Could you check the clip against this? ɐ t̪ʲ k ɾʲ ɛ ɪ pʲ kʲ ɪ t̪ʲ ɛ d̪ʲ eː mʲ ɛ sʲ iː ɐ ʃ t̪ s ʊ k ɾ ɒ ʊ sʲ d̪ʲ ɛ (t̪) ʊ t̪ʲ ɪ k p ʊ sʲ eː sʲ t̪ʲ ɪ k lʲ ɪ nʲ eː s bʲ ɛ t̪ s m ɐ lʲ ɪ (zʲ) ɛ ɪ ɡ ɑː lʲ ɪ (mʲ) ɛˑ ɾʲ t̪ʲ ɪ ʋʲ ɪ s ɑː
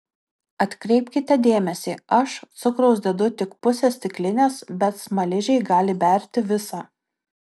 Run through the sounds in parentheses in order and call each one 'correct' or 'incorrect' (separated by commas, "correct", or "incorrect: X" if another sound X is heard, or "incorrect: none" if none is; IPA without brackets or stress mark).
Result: incorrect: d̪, incorrect: ʒʲ, incorrect: bʲ